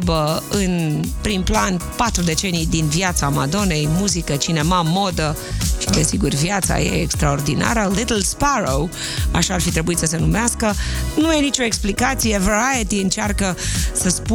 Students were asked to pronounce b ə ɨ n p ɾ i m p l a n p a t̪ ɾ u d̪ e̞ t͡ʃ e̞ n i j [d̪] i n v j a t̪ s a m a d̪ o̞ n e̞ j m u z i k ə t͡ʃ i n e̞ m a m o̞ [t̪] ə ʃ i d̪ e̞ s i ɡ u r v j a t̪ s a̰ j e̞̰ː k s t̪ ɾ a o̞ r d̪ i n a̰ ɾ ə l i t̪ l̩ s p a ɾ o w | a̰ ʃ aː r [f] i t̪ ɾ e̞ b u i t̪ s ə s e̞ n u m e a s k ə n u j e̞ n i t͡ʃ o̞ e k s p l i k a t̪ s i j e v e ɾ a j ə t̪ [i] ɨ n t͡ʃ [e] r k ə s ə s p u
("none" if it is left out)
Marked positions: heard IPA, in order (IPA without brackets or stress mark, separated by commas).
d̪, d̪, f, i, a